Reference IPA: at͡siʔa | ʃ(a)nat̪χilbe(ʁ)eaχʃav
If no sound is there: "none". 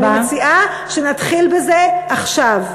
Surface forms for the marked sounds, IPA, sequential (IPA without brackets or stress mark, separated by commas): e, z